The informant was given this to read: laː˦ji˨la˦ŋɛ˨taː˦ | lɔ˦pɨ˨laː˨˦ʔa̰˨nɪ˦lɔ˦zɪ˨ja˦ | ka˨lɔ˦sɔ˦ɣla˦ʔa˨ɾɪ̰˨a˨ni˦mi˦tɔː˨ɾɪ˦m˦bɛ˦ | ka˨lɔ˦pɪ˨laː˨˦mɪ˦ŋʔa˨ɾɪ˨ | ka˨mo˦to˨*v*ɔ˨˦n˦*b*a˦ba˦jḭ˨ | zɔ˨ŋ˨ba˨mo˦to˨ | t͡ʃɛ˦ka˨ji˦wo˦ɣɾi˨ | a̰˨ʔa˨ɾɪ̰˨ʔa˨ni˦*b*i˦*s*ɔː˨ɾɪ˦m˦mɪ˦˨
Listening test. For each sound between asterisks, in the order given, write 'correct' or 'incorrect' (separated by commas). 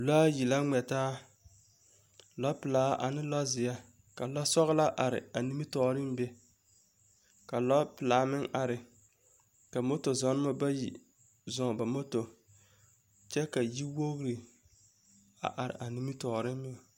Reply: incorrect, incorrect, incorrect, incorrect